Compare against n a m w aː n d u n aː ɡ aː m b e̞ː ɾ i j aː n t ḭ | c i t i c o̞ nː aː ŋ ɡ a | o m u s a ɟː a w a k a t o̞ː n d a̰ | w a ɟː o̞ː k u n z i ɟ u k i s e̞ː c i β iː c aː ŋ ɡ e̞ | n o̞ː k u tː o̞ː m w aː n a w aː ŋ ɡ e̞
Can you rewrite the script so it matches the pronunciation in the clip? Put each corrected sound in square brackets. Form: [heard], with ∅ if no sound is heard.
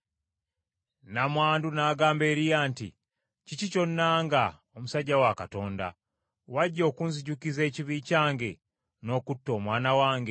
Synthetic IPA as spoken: n a m w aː n d u n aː ɡ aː m b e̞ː ɾ i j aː n t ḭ | c i [c] i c o̞ nː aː ŋ ɡ a | o m u s a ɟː a w a k a t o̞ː n d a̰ | w a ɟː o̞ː k u n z i ɟ u k i [z] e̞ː c i β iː c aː ŋ ɡ e̞ | n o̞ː k u tː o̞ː m w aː n a w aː ŋ ɡ e̞